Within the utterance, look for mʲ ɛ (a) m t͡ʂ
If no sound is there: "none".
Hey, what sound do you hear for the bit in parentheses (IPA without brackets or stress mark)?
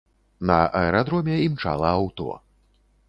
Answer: i